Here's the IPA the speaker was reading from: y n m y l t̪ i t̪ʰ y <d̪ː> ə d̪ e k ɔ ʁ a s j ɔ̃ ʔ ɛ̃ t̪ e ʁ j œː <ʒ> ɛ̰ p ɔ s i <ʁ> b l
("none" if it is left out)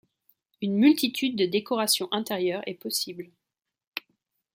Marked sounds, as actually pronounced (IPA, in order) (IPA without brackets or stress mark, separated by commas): d̪ː, ʁ, none